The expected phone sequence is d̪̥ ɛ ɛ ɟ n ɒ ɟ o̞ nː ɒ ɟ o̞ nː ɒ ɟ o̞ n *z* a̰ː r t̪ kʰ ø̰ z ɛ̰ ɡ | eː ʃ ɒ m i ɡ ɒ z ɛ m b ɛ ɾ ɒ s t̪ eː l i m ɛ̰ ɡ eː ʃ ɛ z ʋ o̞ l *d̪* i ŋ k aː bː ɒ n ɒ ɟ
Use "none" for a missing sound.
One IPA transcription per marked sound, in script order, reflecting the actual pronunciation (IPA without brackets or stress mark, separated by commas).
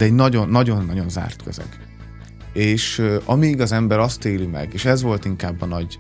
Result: z, t̪